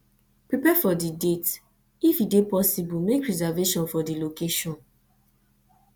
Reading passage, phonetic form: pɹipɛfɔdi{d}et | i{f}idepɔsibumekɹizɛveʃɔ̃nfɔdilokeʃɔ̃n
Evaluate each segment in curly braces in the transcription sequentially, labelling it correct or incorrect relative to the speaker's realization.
correct, correct

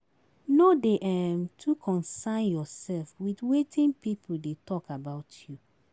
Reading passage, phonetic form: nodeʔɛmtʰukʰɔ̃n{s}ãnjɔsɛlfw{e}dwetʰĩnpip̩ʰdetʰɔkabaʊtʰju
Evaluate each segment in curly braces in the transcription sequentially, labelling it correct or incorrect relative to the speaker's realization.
correct, incorrect: i

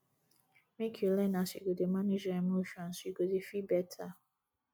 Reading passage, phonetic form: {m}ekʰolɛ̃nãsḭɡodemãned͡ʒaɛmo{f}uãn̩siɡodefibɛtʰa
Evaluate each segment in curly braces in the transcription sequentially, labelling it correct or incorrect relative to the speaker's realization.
correct, incorrect: ʃ

